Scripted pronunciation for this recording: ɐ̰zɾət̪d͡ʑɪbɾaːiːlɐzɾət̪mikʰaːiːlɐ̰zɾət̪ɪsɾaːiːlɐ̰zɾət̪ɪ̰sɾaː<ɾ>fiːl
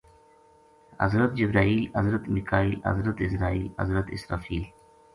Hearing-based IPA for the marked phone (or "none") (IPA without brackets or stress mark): none